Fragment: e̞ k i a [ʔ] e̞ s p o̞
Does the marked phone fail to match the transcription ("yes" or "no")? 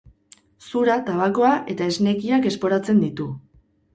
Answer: yes